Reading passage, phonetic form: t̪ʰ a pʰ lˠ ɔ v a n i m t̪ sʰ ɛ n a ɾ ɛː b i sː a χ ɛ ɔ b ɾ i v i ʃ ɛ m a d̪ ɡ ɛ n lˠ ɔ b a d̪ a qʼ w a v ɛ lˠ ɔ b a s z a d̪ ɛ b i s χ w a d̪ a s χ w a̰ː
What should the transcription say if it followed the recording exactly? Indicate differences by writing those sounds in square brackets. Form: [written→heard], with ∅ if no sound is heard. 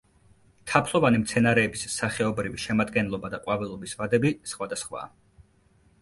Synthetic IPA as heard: t̪ʰ a pʰ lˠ ɔ v a n i m t̪ sʰ ɛ n a ɾ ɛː b i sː a χ ɛ ɔ b ɾ i v i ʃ ɛ m a d̪ ɡ ɛ n lˠ ɔ b a d̪ a qʼ w a v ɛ lˠ ɔ b [a→i] s [z→v] a d̪ ɛ b i s χ w a d̪ a s χ w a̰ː